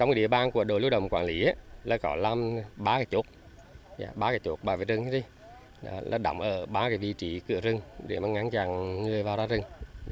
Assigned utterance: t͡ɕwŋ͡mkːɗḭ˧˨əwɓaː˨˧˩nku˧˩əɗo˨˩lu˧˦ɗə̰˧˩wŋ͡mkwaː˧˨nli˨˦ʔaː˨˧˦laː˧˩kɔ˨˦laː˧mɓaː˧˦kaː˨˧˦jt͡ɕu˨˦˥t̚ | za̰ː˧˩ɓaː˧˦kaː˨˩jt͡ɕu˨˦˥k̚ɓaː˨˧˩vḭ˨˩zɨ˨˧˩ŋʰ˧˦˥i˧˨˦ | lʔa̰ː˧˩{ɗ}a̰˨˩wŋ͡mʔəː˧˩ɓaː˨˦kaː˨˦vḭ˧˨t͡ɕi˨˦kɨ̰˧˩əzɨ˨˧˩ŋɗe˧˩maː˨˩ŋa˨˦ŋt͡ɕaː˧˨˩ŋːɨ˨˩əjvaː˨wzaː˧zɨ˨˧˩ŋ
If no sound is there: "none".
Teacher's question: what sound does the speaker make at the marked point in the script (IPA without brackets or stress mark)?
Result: ɗ